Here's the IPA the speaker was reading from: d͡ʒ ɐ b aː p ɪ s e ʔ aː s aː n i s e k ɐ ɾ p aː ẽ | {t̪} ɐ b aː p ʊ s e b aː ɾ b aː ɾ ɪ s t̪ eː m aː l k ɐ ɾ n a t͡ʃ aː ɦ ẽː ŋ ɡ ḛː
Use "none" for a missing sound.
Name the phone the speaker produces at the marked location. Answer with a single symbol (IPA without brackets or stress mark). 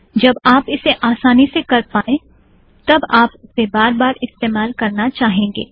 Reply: t̪